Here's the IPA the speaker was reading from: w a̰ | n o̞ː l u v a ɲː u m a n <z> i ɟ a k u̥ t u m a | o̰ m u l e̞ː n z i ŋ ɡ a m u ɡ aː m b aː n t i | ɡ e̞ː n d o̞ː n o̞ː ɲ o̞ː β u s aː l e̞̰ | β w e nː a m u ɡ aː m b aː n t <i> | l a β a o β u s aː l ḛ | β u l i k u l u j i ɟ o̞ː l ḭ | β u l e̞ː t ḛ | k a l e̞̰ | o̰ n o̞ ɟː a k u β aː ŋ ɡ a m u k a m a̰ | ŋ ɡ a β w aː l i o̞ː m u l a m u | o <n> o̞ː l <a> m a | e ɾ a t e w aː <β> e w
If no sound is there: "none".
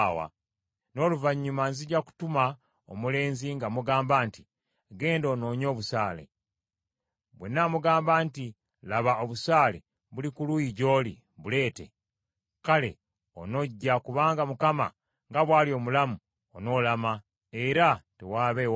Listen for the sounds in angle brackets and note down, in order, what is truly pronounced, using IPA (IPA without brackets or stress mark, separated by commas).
z, i, n, a, β